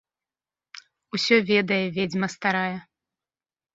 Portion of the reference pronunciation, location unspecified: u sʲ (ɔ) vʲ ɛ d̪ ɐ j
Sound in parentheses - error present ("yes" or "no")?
no